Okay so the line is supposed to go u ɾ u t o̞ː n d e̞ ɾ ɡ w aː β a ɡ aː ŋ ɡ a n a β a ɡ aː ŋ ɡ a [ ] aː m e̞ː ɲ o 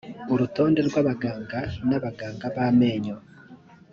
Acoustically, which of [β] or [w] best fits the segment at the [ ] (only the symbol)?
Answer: β